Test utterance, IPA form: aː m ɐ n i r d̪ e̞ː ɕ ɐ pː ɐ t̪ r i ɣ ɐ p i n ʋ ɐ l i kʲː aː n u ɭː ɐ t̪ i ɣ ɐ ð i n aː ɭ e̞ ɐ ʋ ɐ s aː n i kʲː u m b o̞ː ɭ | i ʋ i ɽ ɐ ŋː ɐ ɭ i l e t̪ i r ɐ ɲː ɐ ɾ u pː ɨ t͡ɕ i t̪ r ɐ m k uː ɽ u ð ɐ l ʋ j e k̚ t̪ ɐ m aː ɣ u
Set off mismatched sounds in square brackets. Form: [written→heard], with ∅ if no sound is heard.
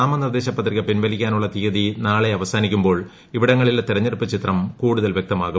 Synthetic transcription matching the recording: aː m ɐ n i r d̪ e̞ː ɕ ɐ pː ɐ t̪ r i ɣ ɐ p i n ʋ ɐ l i kʲː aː n u ɭː ɐ t̪ i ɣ ɐ ð i n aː ɭ e̞ ɐ ʋ ɐ s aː n i kʲː u m b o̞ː ɭ | i ʋ i ɽ ɐ ŋː ɐ ɭ i l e t̪ i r ɐ ɲː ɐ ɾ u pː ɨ t͡ɕ i t̪ r ɐ m k uː ɽ u ð ɐ l ʋ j e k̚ t̪ ɐ m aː ɣ u